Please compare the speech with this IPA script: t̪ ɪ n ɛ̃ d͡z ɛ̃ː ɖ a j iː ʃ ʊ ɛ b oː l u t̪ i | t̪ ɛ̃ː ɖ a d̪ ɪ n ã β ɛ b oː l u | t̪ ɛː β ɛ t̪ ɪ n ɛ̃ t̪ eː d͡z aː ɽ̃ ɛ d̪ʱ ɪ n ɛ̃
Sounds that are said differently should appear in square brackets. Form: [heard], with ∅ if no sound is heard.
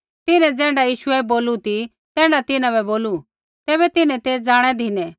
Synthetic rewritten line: t̪ ɪ n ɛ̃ d͡z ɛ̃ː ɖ a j iː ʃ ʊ ɛ b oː l u t̪ i | t̪ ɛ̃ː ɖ a [t̪] ɪ n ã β ɛ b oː l u | t̪ ɛː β ɛ t̪ ɪ n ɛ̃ t̪ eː d͡z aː ɽ̃ ɛ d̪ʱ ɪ n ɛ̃